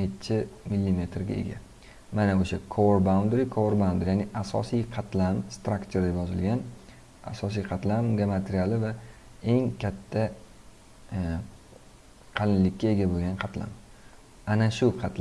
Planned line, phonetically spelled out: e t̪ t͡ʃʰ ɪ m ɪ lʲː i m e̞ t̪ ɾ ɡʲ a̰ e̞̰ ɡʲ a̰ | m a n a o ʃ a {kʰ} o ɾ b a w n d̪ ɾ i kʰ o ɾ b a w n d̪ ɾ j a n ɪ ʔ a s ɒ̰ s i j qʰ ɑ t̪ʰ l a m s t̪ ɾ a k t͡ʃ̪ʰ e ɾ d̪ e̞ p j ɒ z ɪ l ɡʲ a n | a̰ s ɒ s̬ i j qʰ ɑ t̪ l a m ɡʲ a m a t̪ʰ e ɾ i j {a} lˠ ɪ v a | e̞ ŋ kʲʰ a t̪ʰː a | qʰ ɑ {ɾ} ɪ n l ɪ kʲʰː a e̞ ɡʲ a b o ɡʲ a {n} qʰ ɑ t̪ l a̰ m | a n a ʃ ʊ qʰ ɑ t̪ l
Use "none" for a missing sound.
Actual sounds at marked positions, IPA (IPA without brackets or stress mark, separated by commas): kʰ, a, l, n